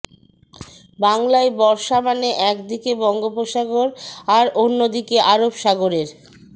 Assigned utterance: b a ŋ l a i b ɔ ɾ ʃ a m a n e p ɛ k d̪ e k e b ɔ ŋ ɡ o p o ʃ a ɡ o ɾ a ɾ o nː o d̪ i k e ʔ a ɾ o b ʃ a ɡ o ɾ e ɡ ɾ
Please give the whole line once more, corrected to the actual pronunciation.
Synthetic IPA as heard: b a ŋ l a e b ɔ ɾ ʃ a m a n e ʔ ɛ k d̪ i k e b ɔ ŋ ɡ o p o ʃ a ɡ o ɾ a ɾ o nː o d̪ i k e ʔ a ɾ o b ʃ a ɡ o ɾ e ɾ